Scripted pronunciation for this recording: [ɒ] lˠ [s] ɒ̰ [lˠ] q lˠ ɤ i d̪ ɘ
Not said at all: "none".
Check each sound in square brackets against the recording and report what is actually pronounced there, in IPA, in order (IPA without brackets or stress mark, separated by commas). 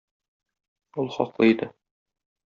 u, χ, none